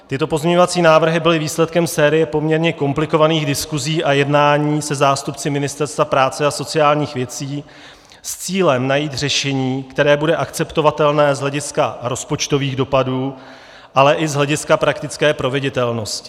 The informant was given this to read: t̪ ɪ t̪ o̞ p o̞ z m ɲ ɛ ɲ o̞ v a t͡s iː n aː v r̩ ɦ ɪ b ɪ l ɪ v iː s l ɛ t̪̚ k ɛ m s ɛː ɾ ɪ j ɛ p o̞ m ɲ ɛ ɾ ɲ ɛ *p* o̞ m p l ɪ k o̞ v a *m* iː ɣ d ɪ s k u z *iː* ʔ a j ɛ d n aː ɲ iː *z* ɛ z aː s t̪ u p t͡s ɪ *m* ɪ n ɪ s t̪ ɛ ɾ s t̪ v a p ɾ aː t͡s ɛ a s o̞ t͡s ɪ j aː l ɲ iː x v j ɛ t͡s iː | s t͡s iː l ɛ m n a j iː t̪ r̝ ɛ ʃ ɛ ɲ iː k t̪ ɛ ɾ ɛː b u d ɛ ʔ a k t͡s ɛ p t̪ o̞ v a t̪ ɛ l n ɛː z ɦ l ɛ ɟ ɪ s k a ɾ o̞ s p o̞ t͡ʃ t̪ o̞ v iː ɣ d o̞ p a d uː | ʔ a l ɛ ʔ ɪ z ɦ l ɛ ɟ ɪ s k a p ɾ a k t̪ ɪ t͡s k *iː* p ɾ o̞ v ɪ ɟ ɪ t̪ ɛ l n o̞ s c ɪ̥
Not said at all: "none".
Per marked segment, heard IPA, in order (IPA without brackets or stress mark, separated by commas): k, n, iː, s, m, ɛː